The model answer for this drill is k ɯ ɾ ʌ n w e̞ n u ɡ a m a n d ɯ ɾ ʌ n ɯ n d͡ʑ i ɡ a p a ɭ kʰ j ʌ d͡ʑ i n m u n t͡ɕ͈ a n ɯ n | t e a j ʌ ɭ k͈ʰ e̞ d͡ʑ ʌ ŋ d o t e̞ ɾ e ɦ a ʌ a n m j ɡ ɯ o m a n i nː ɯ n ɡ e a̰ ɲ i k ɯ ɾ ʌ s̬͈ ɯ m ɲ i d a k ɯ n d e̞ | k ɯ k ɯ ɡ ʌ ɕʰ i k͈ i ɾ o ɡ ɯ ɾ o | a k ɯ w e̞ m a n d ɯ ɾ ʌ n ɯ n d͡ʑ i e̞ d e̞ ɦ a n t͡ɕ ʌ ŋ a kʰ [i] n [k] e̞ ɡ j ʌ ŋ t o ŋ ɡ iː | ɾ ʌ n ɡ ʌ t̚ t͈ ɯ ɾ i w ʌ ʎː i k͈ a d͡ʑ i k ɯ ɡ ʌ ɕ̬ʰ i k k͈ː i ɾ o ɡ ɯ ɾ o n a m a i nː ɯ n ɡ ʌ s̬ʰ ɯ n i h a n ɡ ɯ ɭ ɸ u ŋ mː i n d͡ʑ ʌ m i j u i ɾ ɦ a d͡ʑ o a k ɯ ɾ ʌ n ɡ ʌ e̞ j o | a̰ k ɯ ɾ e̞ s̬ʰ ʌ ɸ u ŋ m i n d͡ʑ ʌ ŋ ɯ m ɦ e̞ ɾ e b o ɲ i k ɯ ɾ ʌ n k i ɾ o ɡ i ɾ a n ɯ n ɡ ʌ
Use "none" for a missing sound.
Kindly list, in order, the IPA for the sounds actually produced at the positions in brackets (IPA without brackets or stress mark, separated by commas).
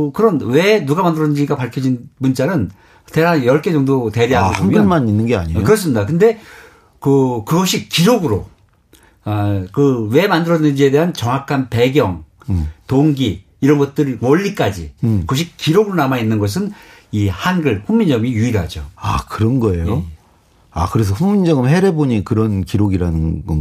a, p